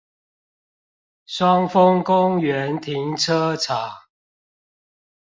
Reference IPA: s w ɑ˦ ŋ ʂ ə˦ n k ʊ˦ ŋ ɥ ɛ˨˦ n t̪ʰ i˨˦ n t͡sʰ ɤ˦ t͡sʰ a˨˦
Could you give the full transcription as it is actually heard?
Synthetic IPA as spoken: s w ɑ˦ ŋ f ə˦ ŋ k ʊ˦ ŋ ɥ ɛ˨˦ n t̪ʰ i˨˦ ŋ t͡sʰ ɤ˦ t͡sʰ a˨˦